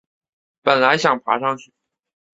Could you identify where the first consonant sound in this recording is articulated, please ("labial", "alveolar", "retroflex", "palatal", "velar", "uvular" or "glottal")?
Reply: labial